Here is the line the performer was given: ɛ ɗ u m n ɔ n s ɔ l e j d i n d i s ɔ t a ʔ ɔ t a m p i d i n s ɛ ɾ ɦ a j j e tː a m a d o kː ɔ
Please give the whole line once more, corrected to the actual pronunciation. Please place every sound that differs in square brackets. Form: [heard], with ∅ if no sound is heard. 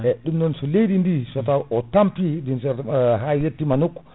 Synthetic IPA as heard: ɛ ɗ u m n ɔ n s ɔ l e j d i n d i s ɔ t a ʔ ɔ t a m p i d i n s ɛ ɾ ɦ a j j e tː [i] m a [n] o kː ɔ